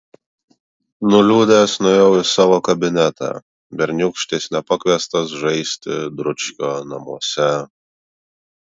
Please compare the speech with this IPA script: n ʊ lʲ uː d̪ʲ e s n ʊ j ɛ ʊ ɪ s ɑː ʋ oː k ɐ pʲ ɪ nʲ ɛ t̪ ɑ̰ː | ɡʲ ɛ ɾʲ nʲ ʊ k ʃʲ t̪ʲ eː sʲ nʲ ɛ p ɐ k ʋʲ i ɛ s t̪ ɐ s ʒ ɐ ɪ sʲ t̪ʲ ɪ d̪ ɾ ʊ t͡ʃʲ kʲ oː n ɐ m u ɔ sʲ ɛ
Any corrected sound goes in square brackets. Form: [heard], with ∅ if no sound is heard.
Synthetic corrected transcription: n ʊ lʲ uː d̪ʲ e s n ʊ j ɛ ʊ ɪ s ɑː ʋ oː k ɐ [bʲ] ɪ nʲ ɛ t̪ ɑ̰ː | [bʲ] ɛ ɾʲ nʲ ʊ k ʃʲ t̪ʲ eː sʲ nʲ ɛ p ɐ k ʋʲ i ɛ s t̪ ɐ s ʒ ɐ ɪ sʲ t̪ʲ ɪ d̪ ɾ ʊ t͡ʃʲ kʲ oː n ɐ m u ɔ sʲ ɛ